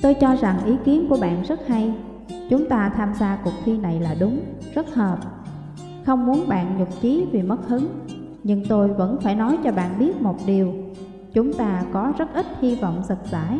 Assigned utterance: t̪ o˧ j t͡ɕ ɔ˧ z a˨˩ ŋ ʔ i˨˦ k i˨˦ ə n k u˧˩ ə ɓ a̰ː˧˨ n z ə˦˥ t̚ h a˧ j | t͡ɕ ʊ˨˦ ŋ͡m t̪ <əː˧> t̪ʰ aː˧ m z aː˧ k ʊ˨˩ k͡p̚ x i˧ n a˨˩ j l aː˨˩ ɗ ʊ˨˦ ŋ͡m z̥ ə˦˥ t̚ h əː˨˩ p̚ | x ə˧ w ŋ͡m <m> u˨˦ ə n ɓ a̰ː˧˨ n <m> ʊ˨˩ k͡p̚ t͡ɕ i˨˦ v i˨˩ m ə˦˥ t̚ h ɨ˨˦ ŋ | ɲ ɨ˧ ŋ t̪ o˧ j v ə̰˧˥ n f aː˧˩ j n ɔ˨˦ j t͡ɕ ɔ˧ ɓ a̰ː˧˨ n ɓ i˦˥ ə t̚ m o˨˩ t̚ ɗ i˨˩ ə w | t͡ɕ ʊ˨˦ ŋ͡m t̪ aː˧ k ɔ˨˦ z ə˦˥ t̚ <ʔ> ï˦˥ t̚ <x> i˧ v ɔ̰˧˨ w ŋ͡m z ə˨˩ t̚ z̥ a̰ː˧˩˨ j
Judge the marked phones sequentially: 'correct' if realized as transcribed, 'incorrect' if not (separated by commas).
incorrect, correct, incorrect, correct, incorrect